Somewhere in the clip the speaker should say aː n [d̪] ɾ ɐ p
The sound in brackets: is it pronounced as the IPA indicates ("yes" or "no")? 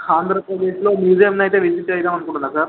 yes